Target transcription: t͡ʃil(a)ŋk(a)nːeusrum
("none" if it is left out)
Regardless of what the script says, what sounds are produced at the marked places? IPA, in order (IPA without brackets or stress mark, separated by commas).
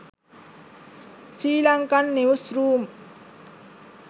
a, a